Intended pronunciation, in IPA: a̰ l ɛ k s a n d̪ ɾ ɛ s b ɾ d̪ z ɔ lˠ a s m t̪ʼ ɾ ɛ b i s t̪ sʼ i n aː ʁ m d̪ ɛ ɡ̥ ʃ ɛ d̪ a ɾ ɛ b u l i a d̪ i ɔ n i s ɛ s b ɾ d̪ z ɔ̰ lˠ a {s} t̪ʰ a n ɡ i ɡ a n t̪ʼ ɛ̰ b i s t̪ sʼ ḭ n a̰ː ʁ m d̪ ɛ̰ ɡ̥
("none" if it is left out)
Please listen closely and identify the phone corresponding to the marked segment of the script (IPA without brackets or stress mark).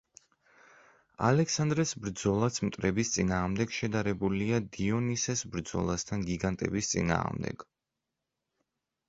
s